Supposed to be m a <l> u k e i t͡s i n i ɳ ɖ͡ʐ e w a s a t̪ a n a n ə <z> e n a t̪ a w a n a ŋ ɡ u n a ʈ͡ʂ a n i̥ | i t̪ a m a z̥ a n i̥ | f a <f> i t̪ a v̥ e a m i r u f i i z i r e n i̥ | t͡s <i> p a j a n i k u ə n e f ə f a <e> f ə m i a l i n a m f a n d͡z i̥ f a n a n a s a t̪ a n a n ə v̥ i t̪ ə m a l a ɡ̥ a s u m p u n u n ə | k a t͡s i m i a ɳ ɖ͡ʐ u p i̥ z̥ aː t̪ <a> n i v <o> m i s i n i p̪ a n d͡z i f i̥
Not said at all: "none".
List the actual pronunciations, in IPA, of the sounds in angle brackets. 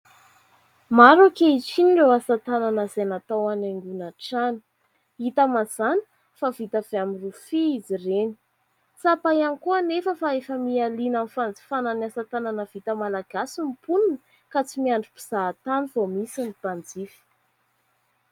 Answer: ɾ, z, v, a, e, a, o

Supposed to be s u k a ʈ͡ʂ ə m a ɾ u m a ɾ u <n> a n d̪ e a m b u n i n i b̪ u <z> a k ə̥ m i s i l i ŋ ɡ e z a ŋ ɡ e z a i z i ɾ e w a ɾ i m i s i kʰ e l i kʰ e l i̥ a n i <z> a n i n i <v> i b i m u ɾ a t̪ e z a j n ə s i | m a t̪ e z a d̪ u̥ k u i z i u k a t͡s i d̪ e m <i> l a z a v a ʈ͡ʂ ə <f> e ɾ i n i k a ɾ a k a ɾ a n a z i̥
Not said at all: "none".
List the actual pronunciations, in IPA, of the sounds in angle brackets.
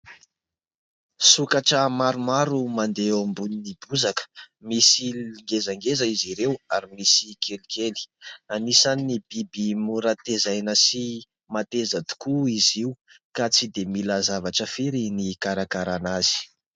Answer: m, z, s, b, i, f

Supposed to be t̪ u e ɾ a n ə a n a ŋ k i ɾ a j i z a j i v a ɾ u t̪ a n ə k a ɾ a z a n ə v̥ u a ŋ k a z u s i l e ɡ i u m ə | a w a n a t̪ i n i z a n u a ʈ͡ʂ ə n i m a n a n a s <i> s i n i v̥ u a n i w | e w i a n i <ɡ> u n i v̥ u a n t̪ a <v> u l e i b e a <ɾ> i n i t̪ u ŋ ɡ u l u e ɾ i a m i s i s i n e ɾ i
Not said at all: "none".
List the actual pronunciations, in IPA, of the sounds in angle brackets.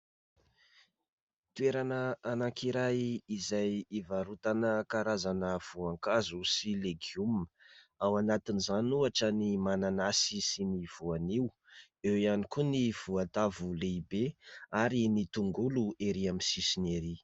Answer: i, k, v, ɾ

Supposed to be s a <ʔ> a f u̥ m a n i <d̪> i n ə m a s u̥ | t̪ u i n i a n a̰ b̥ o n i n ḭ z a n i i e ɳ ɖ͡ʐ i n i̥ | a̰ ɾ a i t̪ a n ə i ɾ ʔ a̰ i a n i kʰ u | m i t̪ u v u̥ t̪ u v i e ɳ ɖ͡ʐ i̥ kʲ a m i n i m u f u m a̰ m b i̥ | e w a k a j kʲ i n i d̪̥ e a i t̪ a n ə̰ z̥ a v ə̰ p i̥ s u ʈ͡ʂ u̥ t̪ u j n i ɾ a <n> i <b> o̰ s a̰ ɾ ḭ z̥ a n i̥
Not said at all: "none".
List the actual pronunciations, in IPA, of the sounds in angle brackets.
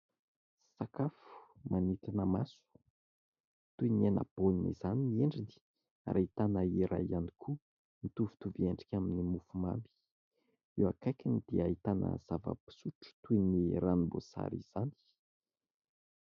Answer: k, t̪, n, b

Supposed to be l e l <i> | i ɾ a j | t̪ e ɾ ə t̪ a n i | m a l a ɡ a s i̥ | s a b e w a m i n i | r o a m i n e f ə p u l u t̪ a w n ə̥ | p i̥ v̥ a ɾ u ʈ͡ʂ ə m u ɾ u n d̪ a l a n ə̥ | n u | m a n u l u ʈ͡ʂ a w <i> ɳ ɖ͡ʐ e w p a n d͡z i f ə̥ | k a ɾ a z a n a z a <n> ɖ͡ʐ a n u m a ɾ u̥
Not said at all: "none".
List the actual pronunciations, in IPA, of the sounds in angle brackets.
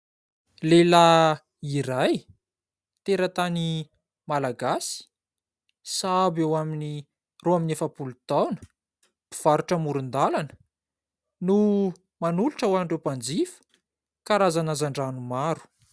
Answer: a, a, ɳ

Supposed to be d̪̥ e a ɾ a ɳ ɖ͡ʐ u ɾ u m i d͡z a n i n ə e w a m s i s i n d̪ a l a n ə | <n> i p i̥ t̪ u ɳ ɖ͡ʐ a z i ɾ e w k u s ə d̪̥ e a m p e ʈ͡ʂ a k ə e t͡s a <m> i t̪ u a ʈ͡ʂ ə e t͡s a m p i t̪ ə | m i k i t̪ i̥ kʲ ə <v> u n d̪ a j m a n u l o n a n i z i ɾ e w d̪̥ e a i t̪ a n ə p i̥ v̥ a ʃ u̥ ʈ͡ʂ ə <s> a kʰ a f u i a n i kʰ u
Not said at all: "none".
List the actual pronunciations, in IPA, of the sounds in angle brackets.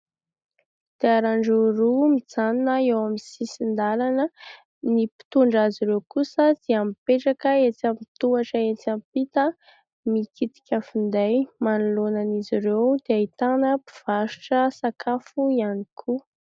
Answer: n, m, f, s

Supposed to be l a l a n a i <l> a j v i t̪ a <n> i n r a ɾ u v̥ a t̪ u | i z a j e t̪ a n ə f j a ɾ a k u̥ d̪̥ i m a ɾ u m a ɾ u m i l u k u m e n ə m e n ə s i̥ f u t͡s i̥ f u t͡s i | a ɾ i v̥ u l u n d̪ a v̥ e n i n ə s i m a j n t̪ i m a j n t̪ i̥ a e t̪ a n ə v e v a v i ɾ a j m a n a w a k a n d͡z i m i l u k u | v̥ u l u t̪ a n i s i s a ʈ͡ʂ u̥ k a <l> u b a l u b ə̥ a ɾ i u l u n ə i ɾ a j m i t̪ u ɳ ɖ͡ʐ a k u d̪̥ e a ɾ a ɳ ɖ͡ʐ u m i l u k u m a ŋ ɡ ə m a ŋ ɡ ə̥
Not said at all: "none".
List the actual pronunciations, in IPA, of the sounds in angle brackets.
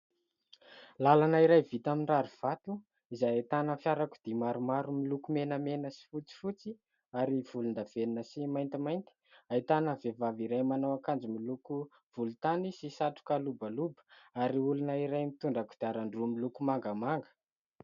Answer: ɾ, m, l

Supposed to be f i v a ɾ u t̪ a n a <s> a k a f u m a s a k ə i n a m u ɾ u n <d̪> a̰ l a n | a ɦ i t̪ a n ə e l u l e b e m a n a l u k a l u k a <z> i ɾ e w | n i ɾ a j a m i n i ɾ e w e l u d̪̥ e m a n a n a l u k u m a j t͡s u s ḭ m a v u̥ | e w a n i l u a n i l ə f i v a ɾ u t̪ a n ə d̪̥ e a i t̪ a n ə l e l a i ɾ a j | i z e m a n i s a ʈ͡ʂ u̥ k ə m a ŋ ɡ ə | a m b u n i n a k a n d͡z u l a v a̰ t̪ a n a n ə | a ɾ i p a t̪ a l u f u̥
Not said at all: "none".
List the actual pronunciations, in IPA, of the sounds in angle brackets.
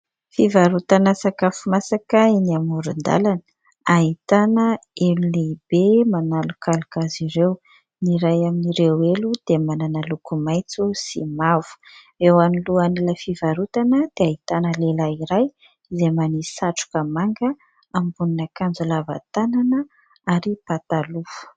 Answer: s, d̪, z

